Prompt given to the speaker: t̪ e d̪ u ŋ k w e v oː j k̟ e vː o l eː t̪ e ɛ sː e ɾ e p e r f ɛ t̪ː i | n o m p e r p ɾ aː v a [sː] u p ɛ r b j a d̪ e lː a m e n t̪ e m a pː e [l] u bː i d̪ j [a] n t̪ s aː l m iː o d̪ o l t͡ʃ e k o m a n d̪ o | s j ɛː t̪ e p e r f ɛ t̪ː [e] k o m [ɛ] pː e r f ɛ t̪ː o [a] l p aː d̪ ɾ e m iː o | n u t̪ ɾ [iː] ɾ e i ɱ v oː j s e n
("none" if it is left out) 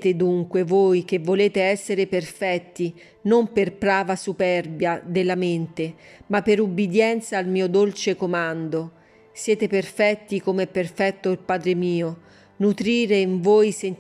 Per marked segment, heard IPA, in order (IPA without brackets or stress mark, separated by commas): s, ɾ, ɛ, i, ɛ, i, iː